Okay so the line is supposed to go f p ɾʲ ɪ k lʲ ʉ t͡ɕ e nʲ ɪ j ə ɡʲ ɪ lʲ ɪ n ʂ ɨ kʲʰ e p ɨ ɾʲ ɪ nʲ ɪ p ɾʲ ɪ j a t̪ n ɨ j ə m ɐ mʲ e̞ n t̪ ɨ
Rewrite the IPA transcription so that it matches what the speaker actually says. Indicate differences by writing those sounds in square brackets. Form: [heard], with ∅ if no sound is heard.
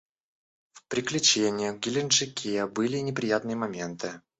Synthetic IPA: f p ɾʲ ɪ k lʲ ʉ t͡ɕ e nʲ ɪ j ə ɡʲ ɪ lʲ ɪ n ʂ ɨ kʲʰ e [b] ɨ [lʲ] ɪ nʲ ɪ p ɾʲ ɪ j a t̪ n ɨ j ə m ɐ mʲ e̞ n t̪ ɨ

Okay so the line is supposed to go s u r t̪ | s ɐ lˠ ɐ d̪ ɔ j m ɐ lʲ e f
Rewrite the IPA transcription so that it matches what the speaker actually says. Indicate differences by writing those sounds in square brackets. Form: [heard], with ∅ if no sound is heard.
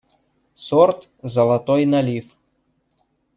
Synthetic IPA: s [ɔ] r t̪ | [z] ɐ lˠ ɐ [t̪] ɔ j [n] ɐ lʲ [i] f

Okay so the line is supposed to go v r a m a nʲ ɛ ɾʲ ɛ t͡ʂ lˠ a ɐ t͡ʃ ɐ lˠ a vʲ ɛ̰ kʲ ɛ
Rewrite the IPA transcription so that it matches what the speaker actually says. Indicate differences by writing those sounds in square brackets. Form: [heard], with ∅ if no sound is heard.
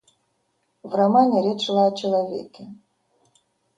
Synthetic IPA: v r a m a nʲ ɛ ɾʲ ɛ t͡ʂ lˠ a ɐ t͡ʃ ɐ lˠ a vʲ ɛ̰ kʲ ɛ

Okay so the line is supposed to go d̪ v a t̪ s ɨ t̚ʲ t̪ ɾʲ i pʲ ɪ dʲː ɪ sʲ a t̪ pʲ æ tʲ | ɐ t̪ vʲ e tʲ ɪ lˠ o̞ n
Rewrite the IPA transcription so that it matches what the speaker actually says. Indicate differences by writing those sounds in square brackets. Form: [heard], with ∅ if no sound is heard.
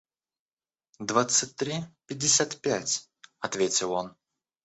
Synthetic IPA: d̪ v a t̪ s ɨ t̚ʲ t̪ ɾʲ i pʲ ɪ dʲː ɪ sʲ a t̪ pʲ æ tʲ | ɐ t̪ vʲ e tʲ ɪ lˠ o̞ n

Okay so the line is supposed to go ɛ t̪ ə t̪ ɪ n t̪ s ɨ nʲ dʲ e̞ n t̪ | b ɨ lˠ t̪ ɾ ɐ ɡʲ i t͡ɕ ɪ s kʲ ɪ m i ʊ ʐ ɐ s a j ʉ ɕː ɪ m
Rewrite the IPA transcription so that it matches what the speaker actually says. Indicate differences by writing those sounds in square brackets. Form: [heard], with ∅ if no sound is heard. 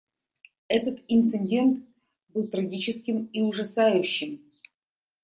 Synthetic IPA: ɛ t̪ ə t̪ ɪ n t̪ s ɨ nʲ dʲ e̞ n t̪ | b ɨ lˠ t̪ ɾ ɐ ɡʲ i t͡ɕ ɪ s kʲ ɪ m i ʊ ʐ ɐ s a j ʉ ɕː ɪ m

